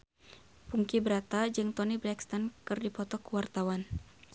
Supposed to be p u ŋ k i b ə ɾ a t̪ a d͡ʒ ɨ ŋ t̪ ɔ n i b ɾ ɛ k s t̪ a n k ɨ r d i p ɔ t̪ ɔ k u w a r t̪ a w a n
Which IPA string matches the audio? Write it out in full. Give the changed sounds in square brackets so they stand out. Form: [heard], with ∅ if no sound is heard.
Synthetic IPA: p u ŋ k i b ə ɾ a t̪ a d͡ʒ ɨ ŋ t̪ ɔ n i b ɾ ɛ k s t̪ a n k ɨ r d i p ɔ t̪ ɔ k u w a r t̪ a w a n